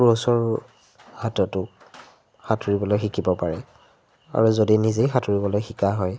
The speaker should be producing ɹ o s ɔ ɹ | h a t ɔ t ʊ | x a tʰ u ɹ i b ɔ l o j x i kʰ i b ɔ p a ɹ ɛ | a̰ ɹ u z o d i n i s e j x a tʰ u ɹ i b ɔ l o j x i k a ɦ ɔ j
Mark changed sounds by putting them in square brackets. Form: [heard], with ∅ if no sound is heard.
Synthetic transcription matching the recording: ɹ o s ɔ ɹ | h a t ɔ t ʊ | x a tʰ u ɹ i b ɔ l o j x i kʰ i b ɔ p a ɹ ɛ | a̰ ɹ u z o d i n i [z] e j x a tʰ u ɹ i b ɔ l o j x i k a ɦ ɔ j